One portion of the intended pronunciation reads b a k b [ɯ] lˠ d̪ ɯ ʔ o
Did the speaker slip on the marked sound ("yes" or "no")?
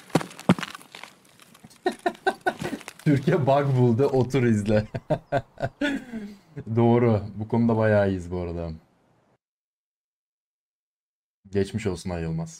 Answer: yes